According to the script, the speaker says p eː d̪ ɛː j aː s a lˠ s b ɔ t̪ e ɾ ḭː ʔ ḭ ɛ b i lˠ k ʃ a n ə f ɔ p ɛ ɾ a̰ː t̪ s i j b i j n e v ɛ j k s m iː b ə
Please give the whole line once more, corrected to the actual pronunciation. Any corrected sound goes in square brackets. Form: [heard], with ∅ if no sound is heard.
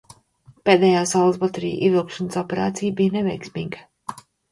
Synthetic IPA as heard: p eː d̪ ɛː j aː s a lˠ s b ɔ t̪ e ɾ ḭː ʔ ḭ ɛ [v] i lˠ k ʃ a n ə [s] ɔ p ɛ ɾ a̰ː t̪ s i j b i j n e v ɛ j k s m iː [ɡ] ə

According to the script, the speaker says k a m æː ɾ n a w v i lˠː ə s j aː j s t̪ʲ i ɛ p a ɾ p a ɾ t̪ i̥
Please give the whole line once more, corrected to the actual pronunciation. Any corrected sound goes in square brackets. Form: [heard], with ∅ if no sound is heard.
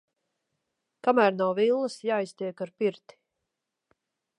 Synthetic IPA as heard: k a m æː ɾ n a w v i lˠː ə s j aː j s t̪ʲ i ɛ [k] a ɾ p [i] ɾ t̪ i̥

